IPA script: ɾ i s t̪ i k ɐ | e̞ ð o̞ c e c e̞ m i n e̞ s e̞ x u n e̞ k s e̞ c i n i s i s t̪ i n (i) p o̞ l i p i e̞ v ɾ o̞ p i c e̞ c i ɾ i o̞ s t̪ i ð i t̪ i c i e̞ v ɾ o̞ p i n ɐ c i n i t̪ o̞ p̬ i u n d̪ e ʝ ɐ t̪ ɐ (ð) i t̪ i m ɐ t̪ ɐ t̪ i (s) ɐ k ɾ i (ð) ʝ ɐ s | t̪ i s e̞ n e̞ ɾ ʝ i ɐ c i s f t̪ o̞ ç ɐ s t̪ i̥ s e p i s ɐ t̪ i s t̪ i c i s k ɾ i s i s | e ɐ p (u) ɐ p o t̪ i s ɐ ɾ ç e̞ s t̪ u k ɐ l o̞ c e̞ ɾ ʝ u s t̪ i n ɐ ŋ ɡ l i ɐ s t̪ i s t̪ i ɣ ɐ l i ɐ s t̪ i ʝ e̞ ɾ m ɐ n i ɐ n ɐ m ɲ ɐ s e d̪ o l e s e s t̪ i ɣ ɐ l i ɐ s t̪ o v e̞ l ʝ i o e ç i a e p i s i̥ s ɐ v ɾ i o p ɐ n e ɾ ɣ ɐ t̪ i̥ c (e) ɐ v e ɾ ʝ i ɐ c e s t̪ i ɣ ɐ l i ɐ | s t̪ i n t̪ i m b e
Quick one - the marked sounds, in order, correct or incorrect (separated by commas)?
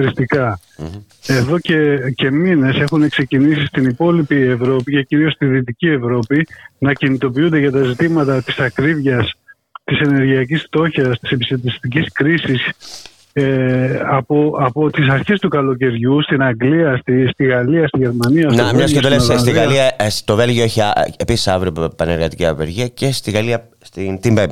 correct, incorrect, correct, incorrect, incorrect, incorrect